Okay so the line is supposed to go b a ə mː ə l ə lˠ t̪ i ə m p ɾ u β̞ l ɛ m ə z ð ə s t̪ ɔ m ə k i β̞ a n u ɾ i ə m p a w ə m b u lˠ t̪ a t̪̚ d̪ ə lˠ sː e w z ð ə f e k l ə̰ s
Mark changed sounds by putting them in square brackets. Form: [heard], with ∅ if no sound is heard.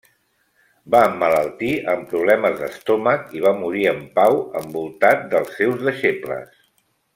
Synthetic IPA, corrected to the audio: b a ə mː ə l ə lˠ t̪ i ə m p ɾ u β̞ l ɛ m ə z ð ə s t̪ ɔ m ə k i β̞ a [m] u ɾ i ə m p a w ə m b u lˠ t̪ a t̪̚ d̪ ə lˠ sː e w z ð ə [ʃ] e [p] l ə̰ s